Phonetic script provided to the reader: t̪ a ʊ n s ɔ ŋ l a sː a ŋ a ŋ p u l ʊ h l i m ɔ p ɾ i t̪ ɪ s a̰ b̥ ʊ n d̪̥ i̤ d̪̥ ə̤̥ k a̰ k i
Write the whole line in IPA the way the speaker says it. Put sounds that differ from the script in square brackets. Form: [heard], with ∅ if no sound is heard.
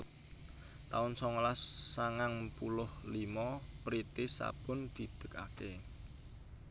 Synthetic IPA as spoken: t̪ a ʊ n s ɔ ŋ l a sː a ŋ a ŋ p u l ʊ h l i m ɔ p ɾ i t̪ ɪ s a̰ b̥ ʊ n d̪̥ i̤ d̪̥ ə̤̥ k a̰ k [e]